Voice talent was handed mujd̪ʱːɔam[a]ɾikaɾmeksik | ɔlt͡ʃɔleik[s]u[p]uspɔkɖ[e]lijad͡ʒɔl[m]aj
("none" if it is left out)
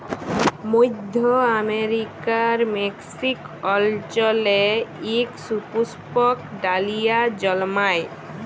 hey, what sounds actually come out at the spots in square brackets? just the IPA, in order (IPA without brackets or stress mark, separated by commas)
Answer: e, s, p, a, m